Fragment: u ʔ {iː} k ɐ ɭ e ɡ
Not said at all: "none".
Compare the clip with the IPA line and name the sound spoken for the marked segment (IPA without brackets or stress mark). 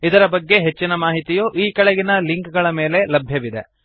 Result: iː